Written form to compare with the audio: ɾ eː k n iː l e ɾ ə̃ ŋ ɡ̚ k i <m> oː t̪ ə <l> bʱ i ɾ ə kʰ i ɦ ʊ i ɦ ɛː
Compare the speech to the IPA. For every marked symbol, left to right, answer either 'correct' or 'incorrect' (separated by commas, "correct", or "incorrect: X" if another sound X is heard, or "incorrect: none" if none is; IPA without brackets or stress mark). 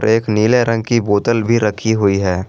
incorrect: b, correct